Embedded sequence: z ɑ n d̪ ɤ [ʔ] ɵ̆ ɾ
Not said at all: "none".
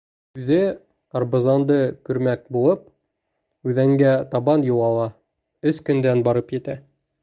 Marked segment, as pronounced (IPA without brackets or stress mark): k